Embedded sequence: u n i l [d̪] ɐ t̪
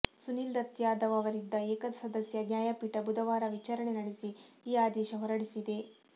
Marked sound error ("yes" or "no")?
no